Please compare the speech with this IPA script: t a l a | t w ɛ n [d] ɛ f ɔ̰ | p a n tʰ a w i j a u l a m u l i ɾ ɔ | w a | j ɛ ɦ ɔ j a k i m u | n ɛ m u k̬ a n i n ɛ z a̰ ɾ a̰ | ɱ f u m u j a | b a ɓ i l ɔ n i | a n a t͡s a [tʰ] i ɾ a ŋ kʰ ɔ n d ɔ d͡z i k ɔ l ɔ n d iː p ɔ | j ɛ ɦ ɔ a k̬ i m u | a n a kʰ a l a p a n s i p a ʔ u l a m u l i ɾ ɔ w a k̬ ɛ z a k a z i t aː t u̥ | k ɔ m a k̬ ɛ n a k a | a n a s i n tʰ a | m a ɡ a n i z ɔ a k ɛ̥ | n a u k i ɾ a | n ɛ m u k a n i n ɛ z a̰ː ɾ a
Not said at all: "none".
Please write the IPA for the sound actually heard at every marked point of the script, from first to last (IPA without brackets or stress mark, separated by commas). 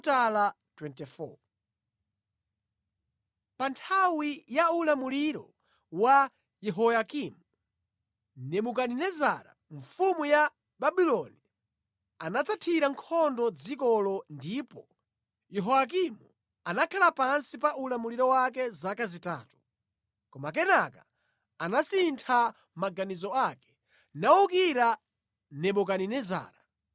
t, tʰ